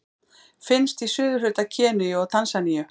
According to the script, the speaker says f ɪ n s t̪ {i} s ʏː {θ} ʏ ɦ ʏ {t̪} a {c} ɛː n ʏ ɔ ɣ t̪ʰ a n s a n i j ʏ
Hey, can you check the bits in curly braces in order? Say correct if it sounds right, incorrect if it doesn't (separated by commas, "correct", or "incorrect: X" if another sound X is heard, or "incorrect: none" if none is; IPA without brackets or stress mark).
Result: correct, incorrect: ð, correct, incorrect: cʰ